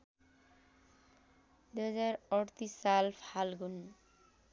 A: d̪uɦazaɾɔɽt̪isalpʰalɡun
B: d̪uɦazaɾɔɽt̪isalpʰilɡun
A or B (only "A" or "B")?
A